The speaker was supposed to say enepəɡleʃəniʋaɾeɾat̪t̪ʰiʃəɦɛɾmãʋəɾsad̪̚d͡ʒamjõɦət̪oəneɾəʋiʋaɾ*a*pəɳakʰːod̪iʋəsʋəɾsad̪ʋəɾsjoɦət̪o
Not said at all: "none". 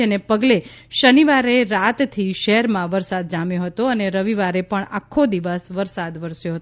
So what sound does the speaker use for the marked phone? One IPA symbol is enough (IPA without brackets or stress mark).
e